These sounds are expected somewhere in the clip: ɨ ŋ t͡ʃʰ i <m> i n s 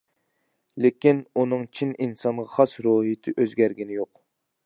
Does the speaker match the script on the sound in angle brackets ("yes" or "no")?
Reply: no